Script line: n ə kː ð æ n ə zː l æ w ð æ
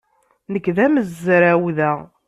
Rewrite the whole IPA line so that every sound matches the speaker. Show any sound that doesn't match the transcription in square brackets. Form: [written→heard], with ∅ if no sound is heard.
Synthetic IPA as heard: n ə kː ð æ [n→m] ə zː [l→ɾ] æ w ð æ